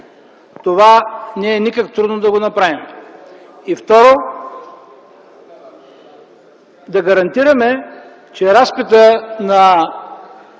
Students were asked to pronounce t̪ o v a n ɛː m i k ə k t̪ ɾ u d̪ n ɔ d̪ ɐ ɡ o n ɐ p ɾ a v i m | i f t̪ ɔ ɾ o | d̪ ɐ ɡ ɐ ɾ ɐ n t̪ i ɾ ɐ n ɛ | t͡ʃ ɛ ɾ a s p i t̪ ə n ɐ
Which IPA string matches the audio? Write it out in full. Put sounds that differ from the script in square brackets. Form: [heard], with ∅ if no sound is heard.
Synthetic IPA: t̪ o v a n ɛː [n] i k ə k t̪ ɾ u d̪ n [o] d̪ ɐ ɡ o n ɐ p ɾ a v i m | i f t̪ ɔ ɾ o | d̪ ɐ ɡ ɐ ɾ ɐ n t̪ i ɾ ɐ [m] ɛ | t͡ʃ ɛ ɾ a s p i t̪ ə n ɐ